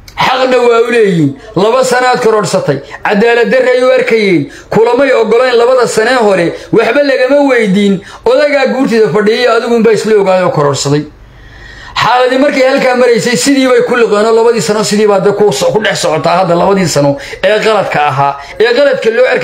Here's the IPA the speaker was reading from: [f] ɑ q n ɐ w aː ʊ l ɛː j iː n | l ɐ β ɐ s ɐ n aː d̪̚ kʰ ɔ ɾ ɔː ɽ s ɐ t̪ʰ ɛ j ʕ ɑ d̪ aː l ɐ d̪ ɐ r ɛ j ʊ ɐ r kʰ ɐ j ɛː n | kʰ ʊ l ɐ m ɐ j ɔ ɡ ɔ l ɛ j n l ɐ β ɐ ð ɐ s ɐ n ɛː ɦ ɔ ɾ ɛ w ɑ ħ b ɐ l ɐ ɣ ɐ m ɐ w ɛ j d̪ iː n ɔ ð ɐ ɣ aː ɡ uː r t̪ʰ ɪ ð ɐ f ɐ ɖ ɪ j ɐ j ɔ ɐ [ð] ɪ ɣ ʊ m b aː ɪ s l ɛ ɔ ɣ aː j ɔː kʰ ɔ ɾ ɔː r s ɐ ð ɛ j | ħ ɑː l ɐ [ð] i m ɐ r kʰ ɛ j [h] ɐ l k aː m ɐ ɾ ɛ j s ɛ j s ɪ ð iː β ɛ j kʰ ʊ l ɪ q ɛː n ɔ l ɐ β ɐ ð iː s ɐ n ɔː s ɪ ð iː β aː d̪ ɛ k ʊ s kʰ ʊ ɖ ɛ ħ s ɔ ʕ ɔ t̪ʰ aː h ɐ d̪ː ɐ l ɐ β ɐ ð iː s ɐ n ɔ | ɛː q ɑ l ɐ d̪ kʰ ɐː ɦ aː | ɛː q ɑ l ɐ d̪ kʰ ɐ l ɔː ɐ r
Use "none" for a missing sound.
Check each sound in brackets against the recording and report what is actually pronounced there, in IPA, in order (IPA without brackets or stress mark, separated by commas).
ħ, ð, ð, h